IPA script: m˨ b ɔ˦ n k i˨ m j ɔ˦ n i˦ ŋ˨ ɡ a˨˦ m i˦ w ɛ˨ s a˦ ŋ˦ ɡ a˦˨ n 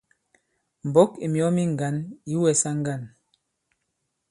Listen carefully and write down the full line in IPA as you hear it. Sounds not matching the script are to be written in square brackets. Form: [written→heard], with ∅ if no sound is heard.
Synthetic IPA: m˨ b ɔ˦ [n→∅] k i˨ m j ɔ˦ [n→m] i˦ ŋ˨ ɡ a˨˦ [m→n] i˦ w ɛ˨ s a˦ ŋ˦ ɡ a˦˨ n